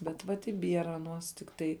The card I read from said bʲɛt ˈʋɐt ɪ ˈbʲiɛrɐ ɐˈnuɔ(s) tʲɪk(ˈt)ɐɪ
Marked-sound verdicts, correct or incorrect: correct, correct

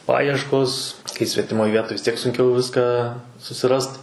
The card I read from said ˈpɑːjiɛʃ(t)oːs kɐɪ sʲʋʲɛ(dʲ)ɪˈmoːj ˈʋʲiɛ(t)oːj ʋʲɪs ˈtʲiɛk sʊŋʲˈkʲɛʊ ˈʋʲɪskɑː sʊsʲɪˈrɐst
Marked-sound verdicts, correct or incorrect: incorrect, incorrect, correct

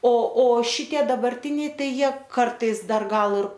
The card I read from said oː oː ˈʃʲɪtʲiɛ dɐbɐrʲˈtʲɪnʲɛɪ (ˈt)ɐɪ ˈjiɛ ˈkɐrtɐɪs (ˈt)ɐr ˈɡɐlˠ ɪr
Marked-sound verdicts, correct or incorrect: correct, incorrect

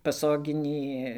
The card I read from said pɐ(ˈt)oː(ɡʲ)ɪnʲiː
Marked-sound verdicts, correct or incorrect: incorrect, correct

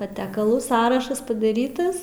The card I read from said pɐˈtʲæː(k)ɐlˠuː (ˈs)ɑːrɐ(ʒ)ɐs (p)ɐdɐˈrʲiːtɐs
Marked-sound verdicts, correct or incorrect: correct, correct, incorrect, correct

